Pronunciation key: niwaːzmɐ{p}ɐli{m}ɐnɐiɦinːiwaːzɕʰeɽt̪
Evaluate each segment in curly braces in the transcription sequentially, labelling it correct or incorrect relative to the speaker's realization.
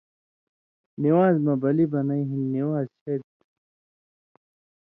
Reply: incorrect: b, incorrect: b

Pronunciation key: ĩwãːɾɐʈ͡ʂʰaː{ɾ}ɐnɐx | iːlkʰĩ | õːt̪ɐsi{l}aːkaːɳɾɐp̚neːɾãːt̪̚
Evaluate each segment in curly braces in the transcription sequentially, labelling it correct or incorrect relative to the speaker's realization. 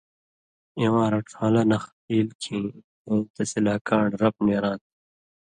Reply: incorrect: l, correct

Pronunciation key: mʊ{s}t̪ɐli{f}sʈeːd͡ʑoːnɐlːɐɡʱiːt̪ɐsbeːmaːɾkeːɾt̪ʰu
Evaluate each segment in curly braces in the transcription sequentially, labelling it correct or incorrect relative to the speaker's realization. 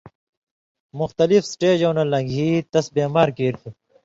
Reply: incorrect: x, correct

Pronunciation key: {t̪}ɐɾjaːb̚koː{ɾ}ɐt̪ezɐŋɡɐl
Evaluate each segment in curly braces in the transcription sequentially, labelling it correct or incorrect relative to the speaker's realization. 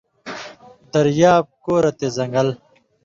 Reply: incorrect: d̪, correct

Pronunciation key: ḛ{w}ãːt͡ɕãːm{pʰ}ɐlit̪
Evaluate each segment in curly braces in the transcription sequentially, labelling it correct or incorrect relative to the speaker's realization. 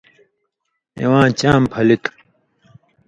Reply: correct, correct

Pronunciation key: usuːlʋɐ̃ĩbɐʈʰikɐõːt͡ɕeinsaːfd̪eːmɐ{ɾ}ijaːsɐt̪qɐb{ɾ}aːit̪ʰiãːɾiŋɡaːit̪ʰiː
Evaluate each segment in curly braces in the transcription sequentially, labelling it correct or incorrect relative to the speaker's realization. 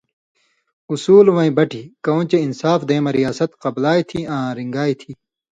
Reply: correct, incorrect: l

